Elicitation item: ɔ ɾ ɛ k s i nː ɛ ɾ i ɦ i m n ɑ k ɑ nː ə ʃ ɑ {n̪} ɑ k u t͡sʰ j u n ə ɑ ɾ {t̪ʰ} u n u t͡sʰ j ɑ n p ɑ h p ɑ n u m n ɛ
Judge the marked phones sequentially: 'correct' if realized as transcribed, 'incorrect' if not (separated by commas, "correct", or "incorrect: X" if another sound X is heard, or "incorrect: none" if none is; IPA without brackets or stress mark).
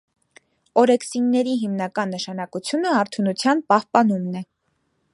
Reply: correct, correct